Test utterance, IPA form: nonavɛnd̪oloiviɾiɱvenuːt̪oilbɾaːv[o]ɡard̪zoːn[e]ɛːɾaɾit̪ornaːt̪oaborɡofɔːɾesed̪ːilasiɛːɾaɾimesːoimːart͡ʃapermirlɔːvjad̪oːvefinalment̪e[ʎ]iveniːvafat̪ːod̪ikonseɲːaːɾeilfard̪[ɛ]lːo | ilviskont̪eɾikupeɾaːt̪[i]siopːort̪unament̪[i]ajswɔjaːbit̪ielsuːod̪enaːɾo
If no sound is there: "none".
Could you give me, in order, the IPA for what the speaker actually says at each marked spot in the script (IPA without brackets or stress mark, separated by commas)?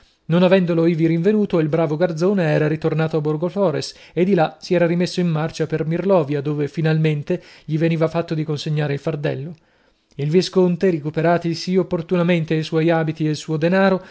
o, e, ʎ, ɛ, i, e